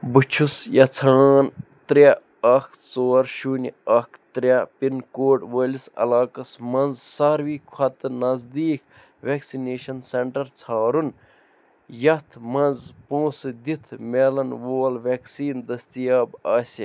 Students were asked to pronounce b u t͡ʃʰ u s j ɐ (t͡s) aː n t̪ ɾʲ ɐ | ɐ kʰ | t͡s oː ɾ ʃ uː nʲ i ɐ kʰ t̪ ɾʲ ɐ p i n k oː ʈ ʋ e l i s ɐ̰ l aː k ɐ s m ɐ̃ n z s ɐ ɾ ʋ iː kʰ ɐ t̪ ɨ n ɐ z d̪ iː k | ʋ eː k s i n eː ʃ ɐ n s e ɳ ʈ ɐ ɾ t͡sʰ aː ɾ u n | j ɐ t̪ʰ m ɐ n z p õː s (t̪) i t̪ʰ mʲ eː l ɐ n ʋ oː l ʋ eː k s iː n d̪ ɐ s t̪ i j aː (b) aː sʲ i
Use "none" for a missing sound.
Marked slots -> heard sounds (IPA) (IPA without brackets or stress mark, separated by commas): t͡sʰ, d̪, b